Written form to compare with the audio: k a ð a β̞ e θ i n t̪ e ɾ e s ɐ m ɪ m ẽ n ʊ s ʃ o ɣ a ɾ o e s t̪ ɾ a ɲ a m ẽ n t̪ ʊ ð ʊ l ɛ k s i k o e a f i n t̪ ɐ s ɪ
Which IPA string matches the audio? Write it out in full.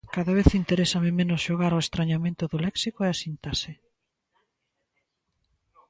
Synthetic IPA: k a ð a β̞ e θ i n t̪ e ɾ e s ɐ m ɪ m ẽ n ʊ s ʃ o ɣ a ɾ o e s t̪ ɾ a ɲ a m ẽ n t̪ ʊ ð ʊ l ɛ k s i k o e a s i n t̪ a s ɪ